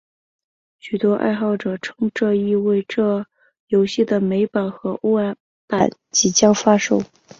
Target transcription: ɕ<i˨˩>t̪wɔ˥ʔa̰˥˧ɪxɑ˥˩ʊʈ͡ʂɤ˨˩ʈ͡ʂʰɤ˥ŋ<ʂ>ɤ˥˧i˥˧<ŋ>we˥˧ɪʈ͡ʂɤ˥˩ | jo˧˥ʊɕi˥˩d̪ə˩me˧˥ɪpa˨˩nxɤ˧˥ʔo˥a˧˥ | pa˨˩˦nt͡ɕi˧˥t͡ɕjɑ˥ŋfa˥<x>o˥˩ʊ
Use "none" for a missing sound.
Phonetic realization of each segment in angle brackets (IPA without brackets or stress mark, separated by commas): y˨˩, ʈ͡ʂ, none, ʂ